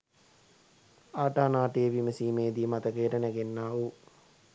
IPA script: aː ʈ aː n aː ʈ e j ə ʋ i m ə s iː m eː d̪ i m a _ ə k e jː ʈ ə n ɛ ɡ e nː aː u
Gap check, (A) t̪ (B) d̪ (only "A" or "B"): A